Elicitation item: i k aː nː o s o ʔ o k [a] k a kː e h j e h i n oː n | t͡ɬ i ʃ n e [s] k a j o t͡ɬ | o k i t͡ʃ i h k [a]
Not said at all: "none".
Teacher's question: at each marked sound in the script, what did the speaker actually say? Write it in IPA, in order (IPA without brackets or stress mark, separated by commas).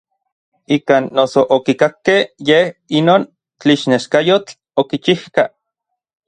i, ʃ, a